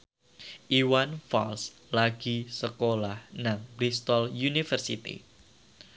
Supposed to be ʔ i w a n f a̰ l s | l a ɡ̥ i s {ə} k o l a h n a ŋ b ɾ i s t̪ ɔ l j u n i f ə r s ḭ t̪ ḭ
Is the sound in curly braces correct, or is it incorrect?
correct